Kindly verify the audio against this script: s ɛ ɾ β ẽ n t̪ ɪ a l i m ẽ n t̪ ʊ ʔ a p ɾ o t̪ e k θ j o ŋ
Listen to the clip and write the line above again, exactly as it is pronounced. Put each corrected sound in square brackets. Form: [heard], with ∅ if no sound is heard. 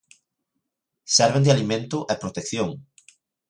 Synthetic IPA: s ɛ ɾ β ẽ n [d̪] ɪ a l i m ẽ n t̪ ʊ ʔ [ɛ] p ɾ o t̪ e k θ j o ŋ